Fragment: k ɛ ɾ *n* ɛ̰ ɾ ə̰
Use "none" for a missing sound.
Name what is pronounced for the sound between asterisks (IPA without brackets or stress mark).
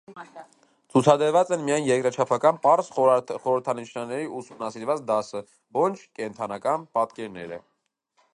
n